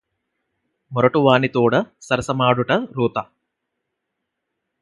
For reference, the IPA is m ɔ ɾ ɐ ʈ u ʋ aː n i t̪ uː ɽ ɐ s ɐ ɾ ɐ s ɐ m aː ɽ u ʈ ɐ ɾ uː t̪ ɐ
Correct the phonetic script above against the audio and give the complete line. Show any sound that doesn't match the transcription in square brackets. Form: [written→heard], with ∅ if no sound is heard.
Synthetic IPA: m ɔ ɾ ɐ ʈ u ʋ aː n i t̪ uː ɽ ɐ s ɐ ɾ ɐ s ɐ m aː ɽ u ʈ ɐ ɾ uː t̪ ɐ